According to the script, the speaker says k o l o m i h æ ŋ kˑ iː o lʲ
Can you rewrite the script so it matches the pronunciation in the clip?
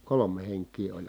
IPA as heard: k o l o m e h e ŋ kˑ iː o lʲ